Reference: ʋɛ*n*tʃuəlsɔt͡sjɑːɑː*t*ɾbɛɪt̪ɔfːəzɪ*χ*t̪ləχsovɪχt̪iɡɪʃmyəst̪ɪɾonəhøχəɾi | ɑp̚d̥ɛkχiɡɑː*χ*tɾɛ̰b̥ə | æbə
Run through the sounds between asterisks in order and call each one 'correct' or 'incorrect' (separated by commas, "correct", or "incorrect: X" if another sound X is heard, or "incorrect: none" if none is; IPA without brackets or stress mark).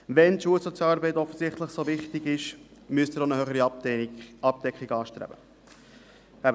correct, incorrect: none, correct, incorrect: ʃ